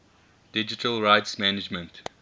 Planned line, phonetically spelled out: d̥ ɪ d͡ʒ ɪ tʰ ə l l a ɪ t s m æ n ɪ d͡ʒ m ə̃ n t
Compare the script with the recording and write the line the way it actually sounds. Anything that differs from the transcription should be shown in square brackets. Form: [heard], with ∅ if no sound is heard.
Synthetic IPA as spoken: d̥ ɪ d͡ʒ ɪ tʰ ə l [ɹ] a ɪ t s m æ n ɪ d͡ʒ m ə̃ n t